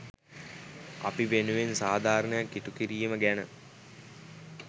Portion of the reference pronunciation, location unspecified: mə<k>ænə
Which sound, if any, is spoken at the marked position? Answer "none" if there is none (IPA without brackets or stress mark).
ɡ